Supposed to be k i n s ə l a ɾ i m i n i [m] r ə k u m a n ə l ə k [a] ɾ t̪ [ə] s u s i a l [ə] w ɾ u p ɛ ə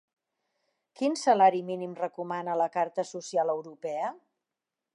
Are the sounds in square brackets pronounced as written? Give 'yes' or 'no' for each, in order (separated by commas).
yes, yes, yes, yes